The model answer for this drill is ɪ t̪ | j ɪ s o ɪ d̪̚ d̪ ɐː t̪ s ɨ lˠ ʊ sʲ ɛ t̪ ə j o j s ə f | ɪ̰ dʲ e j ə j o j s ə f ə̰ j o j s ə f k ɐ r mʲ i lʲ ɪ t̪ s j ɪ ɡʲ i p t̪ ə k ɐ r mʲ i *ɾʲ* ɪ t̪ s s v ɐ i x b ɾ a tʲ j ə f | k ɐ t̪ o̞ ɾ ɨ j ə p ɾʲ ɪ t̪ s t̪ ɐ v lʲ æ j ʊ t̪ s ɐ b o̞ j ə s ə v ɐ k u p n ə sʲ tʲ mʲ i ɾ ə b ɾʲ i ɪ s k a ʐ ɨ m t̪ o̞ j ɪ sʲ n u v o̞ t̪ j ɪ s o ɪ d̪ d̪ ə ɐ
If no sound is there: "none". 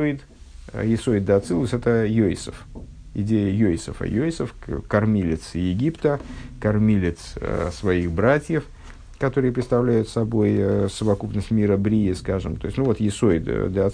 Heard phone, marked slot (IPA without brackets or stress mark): lʲ